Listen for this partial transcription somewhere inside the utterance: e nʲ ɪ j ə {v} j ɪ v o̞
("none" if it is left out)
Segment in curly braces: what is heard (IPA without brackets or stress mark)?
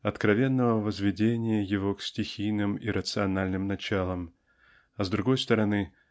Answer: none